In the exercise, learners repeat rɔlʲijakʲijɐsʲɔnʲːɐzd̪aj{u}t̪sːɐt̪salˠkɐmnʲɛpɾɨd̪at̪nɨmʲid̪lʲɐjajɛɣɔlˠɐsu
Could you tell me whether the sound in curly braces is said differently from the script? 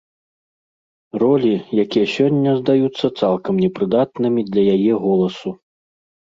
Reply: no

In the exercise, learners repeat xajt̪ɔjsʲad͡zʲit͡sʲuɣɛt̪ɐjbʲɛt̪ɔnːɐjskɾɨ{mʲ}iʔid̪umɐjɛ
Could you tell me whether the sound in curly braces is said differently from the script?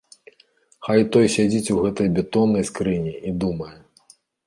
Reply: yes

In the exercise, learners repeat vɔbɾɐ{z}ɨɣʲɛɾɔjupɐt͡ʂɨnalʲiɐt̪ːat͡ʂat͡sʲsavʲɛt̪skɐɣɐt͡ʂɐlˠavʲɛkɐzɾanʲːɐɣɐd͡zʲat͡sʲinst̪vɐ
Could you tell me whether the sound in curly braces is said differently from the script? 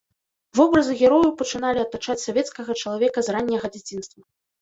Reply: no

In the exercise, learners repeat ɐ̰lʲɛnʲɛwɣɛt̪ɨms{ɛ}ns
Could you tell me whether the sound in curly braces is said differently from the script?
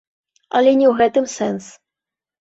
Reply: no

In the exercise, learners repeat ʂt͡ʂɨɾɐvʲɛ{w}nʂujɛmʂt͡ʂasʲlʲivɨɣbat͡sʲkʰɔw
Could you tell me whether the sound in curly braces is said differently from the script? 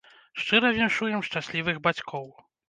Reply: yes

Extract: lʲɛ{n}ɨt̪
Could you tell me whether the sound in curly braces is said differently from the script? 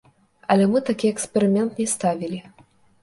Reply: yes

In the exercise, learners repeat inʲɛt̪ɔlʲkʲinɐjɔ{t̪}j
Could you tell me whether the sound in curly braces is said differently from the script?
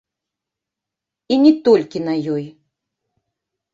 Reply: yes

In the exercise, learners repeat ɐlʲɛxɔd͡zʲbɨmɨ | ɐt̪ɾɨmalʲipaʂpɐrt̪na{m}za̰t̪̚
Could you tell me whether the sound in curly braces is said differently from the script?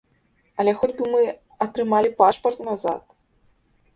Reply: yes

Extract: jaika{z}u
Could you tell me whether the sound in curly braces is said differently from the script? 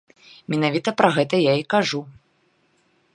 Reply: yes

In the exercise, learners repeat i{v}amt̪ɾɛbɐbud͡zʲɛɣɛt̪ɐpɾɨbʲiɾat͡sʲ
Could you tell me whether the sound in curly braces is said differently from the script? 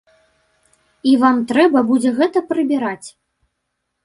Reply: no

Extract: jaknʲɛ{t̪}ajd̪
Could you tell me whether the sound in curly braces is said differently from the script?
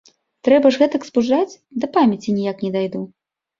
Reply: yes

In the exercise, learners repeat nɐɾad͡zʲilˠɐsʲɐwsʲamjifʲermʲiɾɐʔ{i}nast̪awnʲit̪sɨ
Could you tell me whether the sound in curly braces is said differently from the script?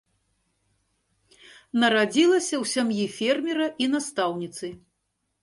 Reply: no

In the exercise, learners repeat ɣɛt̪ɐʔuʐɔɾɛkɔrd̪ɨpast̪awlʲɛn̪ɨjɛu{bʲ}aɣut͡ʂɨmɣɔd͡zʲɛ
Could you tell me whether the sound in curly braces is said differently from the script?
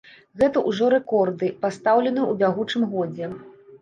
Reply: no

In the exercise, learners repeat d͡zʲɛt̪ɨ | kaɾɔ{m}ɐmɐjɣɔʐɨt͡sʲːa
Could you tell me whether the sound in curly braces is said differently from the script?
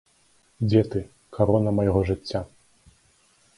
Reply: yes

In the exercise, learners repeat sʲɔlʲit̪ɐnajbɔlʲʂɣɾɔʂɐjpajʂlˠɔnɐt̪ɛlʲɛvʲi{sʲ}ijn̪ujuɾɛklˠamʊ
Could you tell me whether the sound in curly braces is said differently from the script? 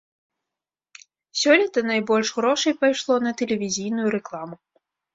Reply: yes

